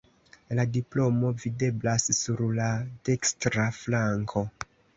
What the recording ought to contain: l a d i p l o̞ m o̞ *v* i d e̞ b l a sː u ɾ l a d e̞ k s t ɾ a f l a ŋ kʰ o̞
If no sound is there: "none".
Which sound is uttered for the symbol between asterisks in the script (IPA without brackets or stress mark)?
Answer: v